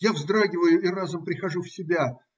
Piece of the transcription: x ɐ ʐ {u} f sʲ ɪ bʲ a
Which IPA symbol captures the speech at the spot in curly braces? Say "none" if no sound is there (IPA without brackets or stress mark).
u